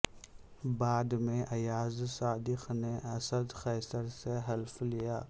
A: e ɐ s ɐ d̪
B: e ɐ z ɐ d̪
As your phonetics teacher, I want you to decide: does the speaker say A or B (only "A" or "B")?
A